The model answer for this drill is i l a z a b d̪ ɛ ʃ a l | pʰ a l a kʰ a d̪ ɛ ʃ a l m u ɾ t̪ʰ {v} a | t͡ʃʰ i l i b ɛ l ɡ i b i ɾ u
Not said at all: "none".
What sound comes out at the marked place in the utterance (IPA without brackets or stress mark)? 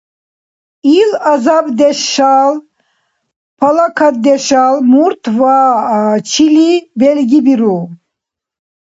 v